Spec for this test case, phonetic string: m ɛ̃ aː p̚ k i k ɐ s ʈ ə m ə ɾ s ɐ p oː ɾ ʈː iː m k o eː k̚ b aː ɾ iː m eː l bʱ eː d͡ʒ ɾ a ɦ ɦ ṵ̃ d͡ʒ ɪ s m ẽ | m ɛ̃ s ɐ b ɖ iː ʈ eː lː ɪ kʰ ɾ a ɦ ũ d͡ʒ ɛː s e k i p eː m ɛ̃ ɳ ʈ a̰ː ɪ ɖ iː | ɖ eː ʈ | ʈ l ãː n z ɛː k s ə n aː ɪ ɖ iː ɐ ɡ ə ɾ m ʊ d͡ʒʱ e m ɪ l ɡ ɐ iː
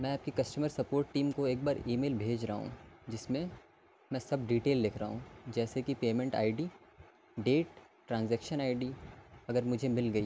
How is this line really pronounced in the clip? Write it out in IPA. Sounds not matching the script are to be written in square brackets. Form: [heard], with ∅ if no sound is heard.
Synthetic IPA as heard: m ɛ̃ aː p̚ k i k ɐ s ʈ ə m ə ɾ s ɐ p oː ɾ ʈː iː m k o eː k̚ b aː ɾ iː m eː l bʱ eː d͡ʒ ɾ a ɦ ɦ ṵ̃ d͡ʒ ɪ s m ẽ | m ɛ̃ s ɐ b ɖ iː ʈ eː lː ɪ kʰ ɾ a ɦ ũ d͡ʒ ɛː s e k i p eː m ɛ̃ ɳ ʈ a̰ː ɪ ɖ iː | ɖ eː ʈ | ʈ [ɾ] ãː n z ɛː k [ʃ] ə n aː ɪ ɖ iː ɐ ɡ ə ɾ m ʊ d͡ʒʱ e m ɪ l ɡ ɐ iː